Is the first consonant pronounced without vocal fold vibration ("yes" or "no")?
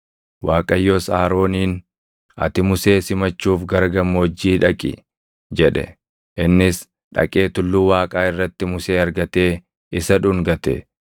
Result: no